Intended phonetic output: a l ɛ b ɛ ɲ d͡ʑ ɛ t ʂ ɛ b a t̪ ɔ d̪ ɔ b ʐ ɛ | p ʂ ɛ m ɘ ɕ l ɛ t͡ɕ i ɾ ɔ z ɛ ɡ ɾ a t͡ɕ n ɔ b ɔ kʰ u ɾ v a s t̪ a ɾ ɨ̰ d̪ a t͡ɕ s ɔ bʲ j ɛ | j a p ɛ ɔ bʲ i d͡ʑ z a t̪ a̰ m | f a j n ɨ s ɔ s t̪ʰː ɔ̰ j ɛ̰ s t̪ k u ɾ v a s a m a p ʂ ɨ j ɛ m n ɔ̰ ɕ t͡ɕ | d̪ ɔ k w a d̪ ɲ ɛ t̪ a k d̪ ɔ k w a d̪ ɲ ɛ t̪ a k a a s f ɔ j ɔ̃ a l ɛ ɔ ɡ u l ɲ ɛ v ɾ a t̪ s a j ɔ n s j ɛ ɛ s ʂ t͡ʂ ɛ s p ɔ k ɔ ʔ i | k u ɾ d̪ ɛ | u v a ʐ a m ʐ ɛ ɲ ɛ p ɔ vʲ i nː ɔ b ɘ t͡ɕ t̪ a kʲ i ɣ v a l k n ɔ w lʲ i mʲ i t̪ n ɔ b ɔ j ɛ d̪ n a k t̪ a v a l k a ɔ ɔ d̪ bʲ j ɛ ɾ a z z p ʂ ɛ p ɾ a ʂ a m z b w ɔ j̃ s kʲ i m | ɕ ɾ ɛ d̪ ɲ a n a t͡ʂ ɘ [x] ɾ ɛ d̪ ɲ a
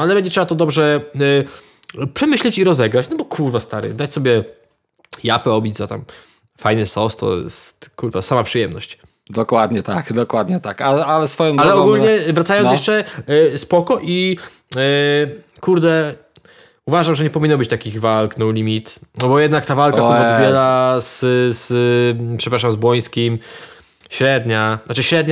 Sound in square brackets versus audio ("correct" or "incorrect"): incorrect